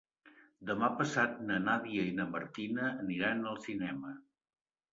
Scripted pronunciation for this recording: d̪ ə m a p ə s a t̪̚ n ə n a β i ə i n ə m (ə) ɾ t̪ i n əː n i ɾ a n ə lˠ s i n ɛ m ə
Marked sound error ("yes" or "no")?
no